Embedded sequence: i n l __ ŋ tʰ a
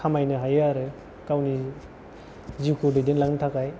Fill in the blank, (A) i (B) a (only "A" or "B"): B